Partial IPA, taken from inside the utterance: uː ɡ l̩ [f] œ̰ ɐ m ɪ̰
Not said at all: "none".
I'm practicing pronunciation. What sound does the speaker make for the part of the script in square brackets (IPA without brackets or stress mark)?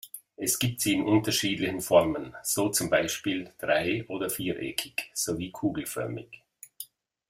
f